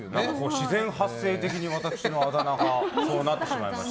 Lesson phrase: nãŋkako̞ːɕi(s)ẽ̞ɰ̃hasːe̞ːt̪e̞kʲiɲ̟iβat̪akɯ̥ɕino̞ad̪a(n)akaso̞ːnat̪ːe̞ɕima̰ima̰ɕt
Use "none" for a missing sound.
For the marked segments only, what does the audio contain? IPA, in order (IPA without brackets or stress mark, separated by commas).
z, n